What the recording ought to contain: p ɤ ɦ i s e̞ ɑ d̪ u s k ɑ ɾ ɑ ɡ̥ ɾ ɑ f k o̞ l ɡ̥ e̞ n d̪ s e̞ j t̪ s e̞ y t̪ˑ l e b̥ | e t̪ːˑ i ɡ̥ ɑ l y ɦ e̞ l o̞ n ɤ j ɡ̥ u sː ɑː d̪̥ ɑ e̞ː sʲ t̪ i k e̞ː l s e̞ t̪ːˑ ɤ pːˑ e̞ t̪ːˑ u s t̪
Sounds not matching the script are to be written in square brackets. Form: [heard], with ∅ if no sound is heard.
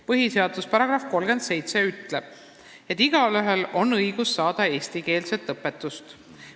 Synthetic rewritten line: p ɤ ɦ i s e̞ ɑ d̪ u s [p] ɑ ɾ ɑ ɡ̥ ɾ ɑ f k o̞ l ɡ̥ e̞ n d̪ s e̞ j t̪ s e̞ y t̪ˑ l e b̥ | e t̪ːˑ i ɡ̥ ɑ l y ɦ e̞ l o̞ n ɤ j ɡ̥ u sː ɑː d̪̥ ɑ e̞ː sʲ t̪ i k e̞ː l s e̞ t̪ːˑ ɤ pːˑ e̞ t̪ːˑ u s t̪